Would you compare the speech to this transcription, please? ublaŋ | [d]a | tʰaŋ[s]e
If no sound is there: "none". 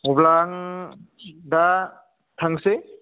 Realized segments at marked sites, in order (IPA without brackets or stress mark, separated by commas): d, s